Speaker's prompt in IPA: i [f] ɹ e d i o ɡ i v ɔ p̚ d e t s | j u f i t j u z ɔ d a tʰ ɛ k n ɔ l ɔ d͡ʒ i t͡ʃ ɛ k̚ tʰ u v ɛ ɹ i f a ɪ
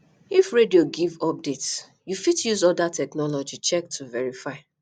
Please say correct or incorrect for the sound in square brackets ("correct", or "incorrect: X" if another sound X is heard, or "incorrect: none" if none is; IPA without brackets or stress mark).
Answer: correct